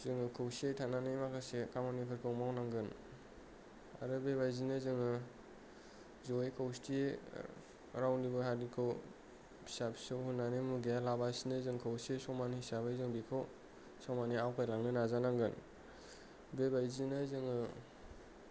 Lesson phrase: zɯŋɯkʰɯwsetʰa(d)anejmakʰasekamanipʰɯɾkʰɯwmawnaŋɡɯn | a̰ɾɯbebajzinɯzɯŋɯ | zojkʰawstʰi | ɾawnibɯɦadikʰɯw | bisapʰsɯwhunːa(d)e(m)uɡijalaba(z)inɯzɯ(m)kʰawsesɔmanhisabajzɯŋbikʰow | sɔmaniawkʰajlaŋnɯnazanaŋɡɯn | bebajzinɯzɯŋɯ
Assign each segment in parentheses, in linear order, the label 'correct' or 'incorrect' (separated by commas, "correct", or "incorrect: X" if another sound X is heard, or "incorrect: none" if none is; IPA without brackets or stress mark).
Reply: incorrect: n, incorrect: n, correct, incorrect: s, incorrect: ŋ